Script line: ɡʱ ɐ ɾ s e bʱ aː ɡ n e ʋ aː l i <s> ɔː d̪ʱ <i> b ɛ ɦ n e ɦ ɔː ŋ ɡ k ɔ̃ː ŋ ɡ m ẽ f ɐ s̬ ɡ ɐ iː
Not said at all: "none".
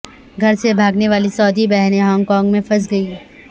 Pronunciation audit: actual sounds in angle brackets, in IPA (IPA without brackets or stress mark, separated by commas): s, i